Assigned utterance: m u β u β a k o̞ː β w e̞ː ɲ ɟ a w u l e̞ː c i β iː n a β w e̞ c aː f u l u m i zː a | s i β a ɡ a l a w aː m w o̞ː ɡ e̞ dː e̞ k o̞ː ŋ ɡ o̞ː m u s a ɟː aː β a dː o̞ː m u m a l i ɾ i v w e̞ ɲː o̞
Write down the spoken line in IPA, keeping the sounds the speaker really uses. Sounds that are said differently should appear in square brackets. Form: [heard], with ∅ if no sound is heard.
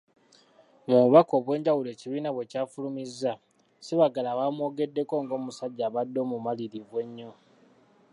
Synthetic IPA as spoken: m u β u β a k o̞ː β w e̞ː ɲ ɟ a w u l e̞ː c i β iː n a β w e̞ c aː f u l u m i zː a | s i β a ɡ a l a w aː m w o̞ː ɡ e̞ dː e̞ k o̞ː ŋ ɡ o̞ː m u s a ɟː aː β a dː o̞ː m u m a l i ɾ i v w e̞ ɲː o̞